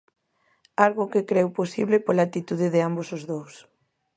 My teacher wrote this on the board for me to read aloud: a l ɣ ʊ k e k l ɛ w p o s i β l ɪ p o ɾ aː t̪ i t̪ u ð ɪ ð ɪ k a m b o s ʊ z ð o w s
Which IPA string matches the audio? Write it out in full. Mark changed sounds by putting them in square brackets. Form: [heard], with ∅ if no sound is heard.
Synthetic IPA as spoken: a l ɣ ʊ k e k [ɾ] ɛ w p o s i β l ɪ p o [l] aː t̪ i t̪ u ð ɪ ð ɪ [∅] a m b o s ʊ z ð o w s